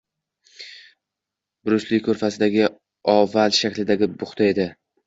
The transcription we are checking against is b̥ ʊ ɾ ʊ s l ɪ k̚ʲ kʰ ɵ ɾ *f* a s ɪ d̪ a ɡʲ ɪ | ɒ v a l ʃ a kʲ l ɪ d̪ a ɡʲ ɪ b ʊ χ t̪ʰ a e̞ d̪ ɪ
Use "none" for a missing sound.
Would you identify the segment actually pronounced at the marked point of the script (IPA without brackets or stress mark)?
f